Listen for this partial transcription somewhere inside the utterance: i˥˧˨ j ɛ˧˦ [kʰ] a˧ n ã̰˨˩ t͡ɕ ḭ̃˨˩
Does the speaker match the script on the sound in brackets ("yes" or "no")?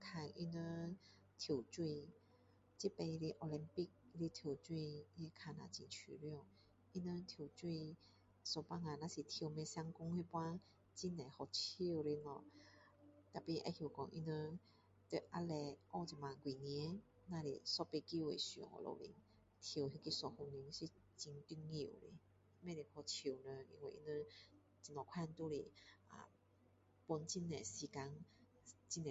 yes